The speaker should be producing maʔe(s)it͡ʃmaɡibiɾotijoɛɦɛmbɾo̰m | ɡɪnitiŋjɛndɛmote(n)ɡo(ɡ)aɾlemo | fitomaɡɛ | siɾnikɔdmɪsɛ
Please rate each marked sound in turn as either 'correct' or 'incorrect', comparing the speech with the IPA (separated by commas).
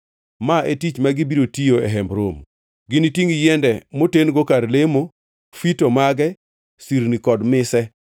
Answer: incorrect, correct, incorrect